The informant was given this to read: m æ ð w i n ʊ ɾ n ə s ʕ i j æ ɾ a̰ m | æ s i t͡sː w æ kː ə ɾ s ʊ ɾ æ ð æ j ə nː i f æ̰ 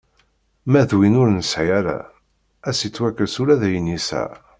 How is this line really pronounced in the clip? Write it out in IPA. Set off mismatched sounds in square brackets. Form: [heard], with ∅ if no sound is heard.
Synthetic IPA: m æ ð w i n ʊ ɾ n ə s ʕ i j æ ɾ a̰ [∅] | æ s i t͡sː w æ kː ə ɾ s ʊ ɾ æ ð æ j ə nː i [s] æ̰